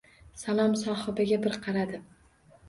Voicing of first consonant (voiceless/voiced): voiceless